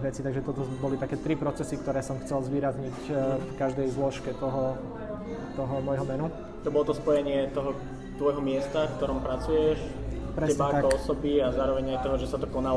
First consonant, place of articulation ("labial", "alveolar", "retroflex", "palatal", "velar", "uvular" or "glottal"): labial